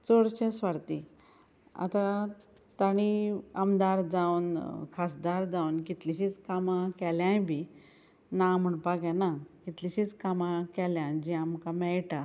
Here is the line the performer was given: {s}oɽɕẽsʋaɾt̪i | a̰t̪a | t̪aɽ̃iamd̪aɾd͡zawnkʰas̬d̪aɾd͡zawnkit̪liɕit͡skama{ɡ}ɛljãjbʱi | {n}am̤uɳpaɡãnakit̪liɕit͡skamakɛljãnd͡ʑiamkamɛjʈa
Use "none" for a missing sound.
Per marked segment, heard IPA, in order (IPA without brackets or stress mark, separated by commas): t͡s, k, n